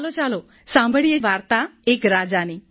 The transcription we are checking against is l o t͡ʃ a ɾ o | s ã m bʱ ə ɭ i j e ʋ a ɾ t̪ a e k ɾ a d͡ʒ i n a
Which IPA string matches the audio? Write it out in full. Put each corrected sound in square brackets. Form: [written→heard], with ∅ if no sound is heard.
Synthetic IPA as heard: l o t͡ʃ a [ɾ→l] o | s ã m bʱ ə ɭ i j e ʋ a ɾ t̪ a e k ɾ a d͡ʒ [i→a] n [a→i]

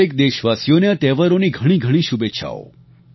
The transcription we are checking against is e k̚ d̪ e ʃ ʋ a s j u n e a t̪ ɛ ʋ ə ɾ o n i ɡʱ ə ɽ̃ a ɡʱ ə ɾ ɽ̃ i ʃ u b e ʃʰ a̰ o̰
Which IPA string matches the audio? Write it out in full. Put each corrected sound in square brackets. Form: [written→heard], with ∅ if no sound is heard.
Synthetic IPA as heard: e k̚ d̪ e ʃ ʋ a s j [u→o] n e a t̪ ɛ ʋ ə ɾ o n i ɡʱ ə ɽ̃ [a→i] ɡʱ ə [ɾ→∅] ɽ̃ i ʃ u b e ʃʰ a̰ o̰

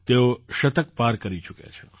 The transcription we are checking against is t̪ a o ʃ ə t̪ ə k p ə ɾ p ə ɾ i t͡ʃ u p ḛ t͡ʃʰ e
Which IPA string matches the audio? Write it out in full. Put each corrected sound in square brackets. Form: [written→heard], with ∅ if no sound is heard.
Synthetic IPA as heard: t̪ [a→e] o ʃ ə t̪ ə k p [ə→a] ɾ [p→k] ə ɾ i t͡ʃ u [p→k] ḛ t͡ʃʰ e

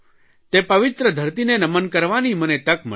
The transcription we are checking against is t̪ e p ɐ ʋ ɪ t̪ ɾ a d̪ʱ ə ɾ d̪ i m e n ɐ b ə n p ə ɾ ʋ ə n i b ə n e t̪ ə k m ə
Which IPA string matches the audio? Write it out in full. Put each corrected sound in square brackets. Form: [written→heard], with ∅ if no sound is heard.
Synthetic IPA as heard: t̪ e p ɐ ʋ ɪ t̪ ɾ [a→ə] d̪ʱ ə ɾ [d̪→t̪] i [m→n] e n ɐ [b→m] ə n [p→k] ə ɾ ʋ [ə→a] n i [b→m] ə n e t̪ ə k m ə

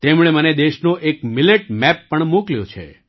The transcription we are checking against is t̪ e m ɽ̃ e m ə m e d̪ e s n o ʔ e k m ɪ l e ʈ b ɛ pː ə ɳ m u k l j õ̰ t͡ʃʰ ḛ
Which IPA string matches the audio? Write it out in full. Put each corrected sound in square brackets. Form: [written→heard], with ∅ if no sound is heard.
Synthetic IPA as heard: t̪ e m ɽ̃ e m ə [m→n] e d̪ e [s→ʃ] n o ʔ e k m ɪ l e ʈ [b→m] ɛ pː ə ɳ m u k l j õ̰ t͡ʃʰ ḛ

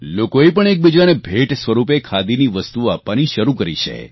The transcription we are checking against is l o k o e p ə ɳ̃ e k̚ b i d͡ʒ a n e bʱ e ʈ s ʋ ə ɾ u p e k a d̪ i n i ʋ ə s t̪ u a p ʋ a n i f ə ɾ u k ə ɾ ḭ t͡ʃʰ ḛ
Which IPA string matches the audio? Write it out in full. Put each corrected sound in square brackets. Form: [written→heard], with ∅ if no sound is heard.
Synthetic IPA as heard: l o k o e p ə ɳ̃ e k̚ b i d͡ʒ a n e bʱ e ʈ s ʋ ə ɾ u p e [k→kʰ] a d̪ i n i ʋ ə s t̪ u a p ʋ a n i [f→ʃ] ə ɾ u k ə ɾ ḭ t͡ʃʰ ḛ

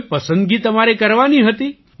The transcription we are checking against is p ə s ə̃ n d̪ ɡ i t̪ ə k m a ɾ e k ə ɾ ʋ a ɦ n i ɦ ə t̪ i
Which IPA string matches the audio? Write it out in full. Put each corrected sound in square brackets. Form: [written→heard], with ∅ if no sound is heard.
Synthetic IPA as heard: p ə s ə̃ n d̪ ɡ i t̪ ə [k→∅] m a ɾ e k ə ɾ ʋ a [ɦ→∅] n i ɦ ə t̪ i

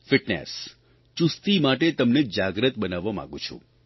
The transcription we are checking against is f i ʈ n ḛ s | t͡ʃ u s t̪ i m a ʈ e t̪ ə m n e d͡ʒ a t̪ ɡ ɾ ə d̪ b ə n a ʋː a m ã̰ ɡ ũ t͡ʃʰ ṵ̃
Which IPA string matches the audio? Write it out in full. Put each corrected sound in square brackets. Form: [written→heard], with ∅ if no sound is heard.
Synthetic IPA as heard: f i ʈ n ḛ s | t͡ʃ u s t̪ i m a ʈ e t̪ ə m n e d͡ʒ a [t̪→∅] ɡ ɾ ə [d̪→t̪] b ə n a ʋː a m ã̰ ɡ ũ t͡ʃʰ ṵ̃

